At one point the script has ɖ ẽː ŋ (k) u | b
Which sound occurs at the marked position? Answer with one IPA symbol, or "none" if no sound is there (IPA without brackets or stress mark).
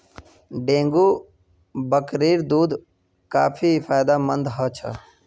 ɡ